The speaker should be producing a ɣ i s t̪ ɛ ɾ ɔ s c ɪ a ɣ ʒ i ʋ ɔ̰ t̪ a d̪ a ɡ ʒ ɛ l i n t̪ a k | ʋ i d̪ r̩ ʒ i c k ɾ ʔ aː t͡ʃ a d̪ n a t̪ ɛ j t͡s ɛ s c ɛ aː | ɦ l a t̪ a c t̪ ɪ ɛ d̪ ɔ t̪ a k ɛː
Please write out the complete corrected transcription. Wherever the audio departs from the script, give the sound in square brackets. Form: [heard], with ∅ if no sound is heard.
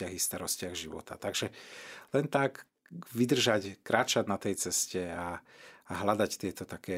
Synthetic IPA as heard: a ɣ i s t̪ [a] ɾ ɔ s c ɪ a ɣ ʒ i ʋ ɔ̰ t̪ a [t̪] a ɡ ʒ ɛ l [ɛ] n t̪ a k | ʋ i d̪ r̩ ʒ [a] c k ɾ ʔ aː t͡ʃ a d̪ n a t̪ ɛ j t͡s ɛ s c ɛ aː | ɦ l a [d̪] a c t̪ ɪ ɛ [t̪] ɔ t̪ a k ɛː